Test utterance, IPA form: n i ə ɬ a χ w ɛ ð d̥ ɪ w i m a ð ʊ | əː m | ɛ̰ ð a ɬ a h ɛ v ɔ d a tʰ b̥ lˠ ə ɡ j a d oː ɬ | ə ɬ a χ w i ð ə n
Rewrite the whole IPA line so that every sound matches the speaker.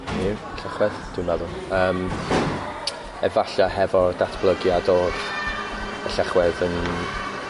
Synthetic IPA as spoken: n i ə ɬ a χ w ɛ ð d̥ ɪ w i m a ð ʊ | əː m | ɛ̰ v a ɬ a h ɛ v ɔ d a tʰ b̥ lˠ ə ɡ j a d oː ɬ | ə ɬ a χ w ɛ ð ə n